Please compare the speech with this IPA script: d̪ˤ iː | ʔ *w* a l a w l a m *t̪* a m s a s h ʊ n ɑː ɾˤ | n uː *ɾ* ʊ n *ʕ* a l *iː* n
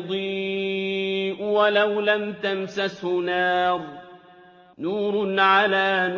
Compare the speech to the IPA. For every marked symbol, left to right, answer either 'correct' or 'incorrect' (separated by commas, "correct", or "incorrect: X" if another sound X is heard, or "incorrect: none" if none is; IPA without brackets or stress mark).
correct, correct, correct, correct, incorrect: aː